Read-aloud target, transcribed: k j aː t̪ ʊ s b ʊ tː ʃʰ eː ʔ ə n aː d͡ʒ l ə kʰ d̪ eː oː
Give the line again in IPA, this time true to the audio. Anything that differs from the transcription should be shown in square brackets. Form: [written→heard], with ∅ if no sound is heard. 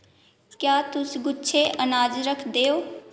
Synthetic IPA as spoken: k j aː t̪ ʊ s [b→ɡ] ʊ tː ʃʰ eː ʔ ə n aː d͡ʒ [l→ɾ] ə kʰ d̪ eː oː